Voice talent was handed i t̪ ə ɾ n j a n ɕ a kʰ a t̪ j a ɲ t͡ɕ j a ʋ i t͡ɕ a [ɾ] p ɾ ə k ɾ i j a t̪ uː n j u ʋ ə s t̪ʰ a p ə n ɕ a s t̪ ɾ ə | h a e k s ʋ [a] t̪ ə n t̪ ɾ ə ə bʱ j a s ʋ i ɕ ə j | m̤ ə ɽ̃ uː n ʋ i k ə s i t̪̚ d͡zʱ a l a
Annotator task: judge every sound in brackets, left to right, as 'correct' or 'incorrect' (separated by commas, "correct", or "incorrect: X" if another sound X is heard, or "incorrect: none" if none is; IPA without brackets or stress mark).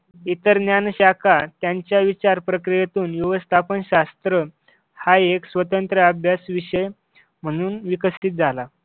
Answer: correct, incorrect: ə